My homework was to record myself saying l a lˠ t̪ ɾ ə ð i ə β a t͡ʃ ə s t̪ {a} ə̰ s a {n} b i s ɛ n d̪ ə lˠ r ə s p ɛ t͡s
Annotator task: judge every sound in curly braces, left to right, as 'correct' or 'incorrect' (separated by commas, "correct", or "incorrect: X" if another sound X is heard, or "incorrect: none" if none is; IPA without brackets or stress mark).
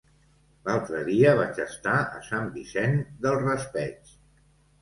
correct, incorrect: m